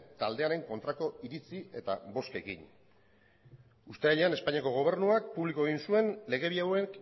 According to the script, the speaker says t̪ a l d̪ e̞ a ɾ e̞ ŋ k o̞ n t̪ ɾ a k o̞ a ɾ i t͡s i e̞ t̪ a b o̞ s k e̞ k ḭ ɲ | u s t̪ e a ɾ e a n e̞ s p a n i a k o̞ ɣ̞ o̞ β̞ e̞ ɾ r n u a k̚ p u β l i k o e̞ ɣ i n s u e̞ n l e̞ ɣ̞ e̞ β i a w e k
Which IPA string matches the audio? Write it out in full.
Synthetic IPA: t̪ a l d̪ e̞ a ɾ e̞ ŋ k o̞ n t̪ ɾ a k o̞ i ɾ i t͡s i e̞ t̪ a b o̞ s k e̞ k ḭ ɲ | u s t̪ e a ʎ e a n e̞ s p a ɲ i a k o̞ ɣ̞ o̞ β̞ e̞ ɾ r n u a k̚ p u β l i k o e̞ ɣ i n s u e̞ n l e̞ ɣ̞ e̞ β i a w e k